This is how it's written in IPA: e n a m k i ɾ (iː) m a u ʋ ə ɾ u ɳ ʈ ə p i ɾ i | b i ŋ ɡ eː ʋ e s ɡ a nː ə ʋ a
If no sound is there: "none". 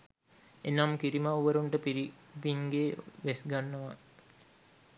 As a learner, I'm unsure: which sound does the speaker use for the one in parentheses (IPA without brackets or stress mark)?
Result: i